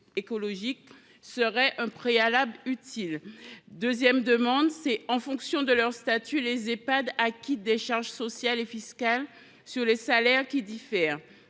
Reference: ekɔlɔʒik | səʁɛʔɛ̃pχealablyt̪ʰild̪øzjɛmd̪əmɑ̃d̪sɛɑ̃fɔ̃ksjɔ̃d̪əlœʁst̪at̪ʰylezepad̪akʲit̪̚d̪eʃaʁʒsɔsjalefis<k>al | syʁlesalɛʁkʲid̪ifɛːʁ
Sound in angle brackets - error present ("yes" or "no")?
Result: no